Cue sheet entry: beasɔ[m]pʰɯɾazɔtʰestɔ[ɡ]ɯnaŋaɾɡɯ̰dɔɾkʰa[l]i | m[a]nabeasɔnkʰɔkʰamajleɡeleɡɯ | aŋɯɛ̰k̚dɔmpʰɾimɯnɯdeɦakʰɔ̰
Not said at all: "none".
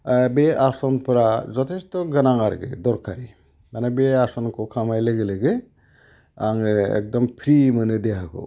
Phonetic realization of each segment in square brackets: n, ɡ, ɾ, a

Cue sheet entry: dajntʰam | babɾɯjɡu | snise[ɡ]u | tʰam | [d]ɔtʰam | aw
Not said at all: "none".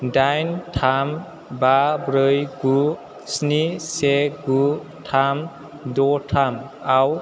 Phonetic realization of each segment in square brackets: ɡ, d

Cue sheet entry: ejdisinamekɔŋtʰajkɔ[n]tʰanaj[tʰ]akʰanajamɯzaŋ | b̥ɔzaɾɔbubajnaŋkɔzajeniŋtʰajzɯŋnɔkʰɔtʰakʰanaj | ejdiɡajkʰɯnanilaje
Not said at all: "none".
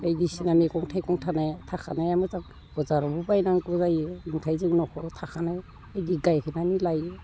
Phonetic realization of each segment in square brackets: ŋ, tʰ

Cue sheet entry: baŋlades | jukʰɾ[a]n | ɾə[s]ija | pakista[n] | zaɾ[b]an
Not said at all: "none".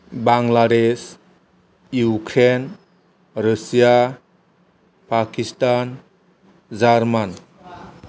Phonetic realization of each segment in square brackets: e, s, n, m

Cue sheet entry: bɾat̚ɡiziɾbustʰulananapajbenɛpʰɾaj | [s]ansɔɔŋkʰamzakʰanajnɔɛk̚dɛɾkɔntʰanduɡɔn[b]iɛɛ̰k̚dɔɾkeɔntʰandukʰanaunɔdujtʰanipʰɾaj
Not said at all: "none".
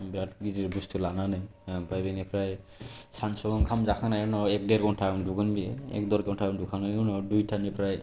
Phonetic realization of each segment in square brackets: s, b

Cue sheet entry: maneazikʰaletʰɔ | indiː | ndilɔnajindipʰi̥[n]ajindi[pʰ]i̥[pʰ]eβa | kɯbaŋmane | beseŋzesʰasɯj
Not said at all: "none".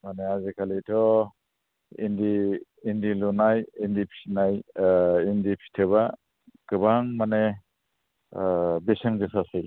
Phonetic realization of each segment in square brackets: n, pʰ, tʰ

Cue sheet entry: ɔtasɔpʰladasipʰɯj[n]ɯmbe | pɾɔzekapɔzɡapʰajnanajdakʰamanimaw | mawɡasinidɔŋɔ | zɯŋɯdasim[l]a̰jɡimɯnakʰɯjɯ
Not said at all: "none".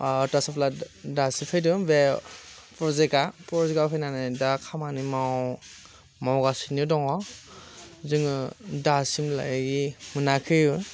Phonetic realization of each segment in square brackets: d, l

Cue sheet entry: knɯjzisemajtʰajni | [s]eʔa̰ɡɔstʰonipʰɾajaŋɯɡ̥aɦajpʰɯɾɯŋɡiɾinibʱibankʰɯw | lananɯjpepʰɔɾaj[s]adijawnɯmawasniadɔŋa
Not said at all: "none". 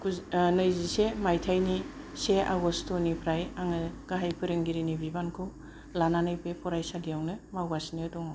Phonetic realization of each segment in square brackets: s, s

